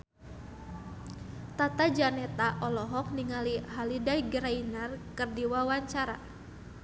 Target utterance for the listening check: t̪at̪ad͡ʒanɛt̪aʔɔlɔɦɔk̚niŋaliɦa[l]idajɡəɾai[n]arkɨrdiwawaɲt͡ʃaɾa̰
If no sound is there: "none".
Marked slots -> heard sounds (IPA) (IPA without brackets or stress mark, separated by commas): l, n